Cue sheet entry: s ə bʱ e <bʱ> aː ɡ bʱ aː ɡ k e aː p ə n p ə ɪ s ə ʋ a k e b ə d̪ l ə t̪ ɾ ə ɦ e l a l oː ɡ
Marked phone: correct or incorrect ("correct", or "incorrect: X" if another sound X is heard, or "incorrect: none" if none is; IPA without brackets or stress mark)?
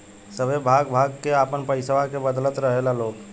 correct